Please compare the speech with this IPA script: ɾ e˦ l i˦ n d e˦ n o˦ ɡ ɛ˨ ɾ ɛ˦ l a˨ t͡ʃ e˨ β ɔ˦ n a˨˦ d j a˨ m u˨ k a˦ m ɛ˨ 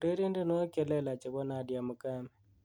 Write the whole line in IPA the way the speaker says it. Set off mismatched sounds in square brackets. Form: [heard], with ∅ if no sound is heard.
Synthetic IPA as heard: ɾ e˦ [ɾ] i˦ n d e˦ n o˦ [k] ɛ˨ [l] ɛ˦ l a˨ t͡ʃ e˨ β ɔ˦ n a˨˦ d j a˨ m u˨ k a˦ m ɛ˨